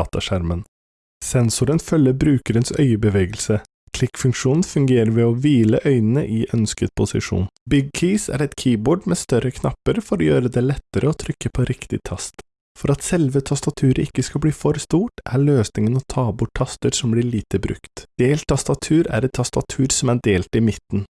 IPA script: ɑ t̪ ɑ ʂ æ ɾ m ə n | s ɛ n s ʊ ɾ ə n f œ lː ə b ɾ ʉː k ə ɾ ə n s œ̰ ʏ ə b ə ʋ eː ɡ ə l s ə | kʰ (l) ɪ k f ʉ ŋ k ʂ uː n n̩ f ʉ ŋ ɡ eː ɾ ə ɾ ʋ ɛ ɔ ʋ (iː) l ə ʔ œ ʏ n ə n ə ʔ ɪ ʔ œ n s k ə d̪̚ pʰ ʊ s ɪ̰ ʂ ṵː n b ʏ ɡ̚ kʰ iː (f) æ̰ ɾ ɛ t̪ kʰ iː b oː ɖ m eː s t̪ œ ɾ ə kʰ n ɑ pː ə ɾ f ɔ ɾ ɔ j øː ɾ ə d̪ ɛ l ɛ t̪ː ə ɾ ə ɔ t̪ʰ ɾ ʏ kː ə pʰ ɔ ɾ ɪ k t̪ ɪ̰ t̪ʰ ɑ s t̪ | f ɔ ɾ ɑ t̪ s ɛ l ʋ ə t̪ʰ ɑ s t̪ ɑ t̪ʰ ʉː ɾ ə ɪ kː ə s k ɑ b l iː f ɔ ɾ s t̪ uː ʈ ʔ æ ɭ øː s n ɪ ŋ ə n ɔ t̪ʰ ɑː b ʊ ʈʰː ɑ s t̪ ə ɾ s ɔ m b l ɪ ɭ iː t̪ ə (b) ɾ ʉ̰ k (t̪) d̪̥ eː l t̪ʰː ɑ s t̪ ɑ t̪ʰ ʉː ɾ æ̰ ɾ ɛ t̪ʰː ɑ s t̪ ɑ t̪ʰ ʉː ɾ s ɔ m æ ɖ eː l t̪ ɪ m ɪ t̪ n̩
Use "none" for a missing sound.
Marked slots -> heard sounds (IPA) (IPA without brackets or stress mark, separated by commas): l, iː, s, b, t̪